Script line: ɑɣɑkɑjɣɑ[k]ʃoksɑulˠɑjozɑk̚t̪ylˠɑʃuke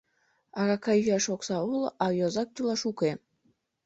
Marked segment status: incorrect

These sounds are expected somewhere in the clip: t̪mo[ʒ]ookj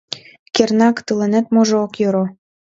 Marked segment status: correct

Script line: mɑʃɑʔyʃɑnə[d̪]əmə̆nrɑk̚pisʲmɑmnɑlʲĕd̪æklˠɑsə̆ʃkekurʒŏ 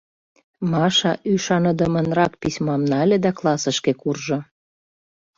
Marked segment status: correct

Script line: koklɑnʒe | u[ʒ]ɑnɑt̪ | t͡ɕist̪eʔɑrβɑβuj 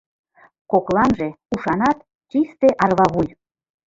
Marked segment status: incorrect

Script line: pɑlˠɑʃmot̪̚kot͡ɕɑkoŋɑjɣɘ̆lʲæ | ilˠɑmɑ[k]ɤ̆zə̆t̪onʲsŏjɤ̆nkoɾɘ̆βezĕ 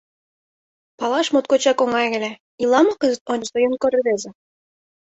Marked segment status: correct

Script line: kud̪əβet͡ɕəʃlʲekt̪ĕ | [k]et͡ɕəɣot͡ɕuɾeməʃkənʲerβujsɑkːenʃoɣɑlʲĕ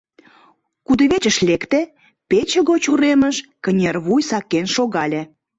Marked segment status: incorrect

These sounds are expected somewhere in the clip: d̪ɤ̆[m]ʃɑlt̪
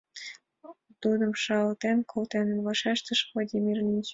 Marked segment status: correct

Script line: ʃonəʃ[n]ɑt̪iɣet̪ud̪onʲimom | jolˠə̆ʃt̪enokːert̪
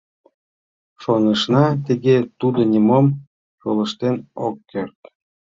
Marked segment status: correct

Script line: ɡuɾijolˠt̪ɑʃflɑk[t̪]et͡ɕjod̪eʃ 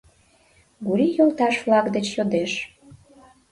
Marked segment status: incorrect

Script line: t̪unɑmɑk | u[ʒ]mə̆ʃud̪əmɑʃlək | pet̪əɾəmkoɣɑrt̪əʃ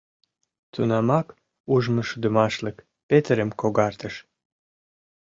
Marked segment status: correct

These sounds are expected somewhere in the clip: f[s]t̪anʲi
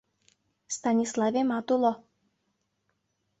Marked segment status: correct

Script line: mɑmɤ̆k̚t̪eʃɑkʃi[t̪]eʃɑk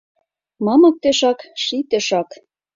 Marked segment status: correct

